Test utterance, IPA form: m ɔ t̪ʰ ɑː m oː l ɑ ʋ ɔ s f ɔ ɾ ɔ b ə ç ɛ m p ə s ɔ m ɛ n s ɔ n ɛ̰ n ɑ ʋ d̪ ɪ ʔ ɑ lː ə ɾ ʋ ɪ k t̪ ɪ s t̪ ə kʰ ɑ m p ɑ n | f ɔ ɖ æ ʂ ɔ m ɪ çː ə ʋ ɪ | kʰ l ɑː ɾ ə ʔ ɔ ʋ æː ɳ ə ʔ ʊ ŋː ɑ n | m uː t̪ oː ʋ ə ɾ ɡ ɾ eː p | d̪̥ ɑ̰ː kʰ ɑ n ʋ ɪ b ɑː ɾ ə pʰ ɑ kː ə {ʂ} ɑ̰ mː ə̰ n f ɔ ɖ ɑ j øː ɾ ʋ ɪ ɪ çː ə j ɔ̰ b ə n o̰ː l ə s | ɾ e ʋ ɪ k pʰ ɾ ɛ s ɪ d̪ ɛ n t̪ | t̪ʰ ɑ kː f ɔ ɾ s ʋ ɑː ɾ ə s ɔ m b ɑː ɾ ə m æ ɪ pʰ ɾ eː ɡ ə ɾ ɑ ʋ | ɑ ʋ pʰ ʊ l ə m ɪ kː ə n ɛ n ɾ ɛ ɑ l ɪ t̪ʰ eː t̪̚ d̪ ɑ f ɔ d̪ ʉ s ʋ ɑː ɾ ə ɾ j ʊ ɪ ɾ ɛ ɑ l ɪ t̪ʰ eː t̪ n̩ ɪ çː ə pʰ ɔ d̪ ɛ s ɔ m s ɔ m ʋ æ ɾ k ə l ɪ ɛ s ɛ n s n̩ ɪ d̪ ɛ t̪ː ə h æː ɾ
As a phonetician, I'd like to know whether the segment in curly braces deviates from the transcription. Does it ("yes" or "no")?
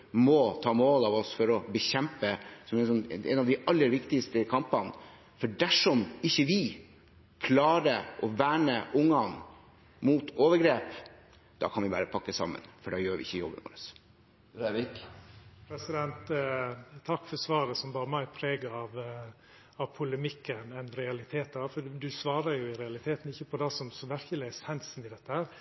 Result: yes